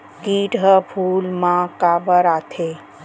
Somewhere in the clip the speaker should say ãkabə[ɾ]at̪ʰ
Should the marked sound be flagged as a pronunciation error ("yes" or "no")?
no